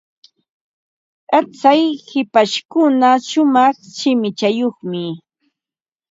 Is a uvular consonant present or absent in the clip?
present